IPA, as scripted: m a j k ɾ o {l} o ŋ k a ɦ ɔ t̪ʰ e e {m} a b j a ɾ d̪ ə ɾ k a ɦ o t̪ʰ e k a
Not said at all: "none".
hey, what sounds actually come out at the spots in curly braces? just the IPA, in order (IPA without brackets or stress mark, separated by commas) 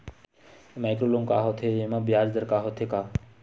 l, m